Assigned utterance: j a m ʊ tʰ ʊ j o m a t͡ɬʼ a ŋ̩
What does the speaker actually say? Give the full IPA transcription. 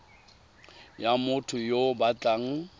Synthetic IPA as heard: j a m ʊ tʰ ʊ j o b a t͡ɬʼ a ŋ̩